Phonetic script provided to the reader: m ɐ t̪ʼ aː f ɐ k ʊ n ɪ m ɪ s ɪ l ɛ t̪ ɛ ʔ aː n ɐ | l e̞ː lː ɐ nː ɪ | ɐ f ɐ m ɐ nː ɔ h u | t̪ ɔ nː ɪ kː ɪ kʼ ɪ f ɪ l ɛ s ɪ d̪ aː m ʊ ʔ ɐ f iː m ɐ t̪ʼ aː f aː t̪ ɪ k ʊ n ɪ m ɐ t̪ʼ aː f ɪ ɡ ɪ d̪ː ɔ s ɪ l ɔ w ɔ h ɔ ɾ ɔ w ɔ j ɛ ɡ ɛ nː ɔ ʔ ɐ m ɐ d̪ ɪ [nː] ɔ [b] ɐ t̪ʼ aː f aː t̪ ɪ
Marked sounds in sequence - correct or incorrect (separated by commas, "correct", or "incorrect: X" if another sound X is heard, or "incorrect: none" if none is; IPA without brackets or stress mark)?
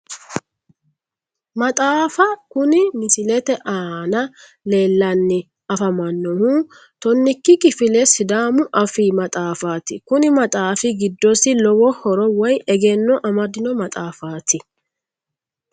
incorrect: n, incorrect: m